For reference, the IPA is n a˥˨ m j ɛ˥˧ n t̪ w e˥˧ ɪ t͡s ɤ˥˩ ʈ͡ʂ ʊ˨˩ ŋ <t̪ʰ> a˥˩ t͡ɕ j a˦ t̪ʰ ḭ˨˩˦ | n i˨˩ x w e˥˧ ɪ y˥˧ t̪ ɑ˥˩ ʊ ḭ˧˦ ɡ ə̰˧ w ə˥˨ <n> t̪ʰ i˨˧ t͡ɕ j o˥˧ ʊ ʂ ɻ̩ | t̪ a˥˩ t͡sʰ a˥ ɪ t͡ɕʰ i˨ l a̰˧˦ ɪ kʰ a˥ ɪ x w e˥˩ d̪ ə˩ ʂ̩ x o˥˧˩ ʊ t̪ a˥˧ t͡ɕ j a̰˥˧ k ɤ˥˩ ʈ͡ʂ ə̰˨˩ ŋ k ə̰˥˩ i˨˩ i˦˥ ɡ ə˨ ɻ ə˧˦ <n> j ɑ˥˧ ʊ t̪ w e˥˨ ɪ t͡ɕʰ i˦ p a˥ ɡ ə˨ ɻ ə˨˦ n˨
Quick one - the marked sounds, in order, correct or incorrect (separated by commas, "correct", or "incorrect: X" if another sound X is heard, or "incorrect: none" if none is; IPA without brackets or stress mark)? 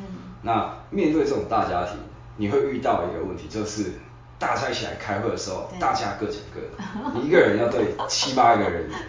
incorrect: t̪, correct, correct